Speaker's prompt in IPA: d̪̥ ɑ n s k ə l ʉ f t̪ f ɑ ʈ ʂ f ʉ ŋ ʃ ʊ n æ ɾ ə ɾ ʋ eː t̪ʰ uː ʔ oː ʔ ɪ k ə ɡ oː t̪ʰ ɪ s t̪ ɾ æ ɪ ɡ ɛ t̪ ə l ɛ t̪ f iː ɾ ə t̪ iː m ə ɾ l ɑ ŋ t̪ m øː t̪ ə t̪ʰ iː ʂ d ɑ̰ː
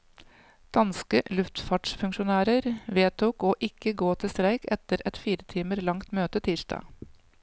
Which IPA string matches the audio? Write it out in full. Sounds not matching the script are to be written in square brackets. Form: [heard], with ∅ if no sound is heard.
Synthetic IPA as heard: d̪̥ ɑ n s k ə l ʉ f t̪ f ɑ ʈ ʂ f ʉ ŋ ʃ ʊ n [æː] ɾ ə ɾ ʋ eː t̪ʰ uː [k] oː ʔ ɪ k ə ɡ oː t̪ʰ ɪ s t̪ ɾ æ ɪ [k] ɛ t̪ ə [ɾ] ɛ t̪ f iː ɾ ə [t̪ʰ] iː m ə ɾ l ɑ ŋ t̪ m øː t̪ ə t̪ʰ iː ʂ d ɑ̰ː